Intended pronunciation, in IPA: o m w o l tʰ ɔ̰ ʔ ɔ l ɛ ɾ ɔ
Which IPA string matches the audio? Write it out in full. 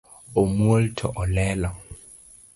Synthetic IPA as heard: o m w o l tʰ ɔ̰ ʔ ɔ l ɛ l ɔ